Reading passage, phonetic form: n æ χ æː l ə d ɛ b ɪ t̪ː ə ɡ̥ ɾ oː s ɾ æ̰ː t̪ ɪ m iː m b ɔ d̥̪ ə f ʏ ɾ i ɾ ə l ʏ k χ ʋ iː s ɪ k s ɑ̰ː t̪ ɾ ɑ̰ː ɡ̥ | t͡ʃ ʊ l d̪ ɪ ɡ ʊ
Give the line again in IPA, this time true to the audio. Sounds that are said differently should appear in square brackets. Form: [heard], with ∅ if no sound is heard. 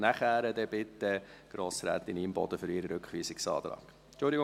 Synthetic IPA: n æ χ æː [ɾ] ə d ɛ b ɪ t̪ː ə ɡ̥ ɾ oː s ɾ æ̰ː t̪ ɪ [n] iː m b ɔ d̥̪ ə f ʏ ɾ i ɾ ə [ɾ] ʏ k χ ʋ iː s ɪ k s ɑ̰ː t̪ ɾ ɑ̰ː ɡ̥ | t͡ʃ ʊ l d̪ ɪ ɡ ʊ